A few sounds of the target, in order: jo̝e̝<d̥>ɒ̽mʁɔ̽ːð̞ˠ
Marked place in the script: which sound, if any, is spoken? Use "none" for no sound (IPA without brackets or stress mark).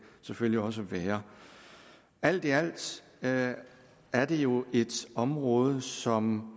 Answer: d̥